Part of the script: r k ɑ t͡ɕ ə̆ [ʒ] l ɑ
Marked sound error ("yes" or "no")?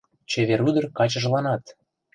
no